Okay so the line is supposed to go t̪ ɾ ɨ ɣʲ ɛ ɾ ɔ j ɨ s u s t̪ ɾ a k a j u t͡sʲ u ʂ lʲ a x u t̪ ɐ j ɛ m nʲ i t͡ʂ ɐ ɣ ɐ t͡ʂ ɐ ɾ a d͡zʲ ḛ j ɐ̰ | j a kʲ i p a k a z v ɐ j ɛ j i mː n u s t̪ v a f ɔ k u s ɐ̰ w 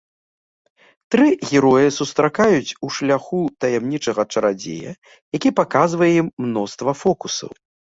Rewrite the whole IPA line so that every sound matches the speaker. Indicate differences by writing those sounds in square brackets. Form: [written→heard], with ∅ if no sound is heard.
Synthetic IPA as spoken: t̪ ɾ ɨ ɣʲ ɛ ɾ ɔ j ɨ s u s t̪ ɾ a k a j u t͡sʲ u ʂ lʲ a x u t̪ ɐ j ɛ m nʲ i t͡ʂ ɐ ɣ ɐ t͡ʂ ɐ ɾ a d͡zʲ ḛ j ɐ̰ | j a kʲ i p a k a z v ɐ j ɛ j i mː n [u→ɔ] s t̪ v [a→ɐ] f ɔ k u s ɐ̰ w